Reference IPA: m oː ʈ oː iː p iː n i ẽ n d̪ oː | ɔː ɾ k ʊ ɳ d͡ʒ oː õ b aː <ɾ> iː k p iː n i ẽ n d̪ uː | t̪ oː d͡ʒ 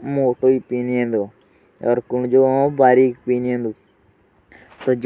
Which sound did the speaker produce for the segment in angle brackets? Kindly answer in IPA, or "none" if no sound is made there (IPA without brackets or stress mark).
ɾ